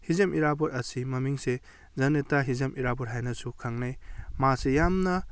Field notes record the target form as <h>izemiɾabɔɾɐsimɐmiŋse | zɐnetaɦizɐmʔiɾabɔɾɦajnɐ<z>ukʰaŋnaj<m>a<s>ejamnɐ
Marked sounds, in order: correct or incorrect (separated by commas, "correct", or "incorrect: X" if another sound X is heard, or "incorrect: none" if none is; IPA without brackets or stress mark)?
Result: correct, incorrect: s, correct, correct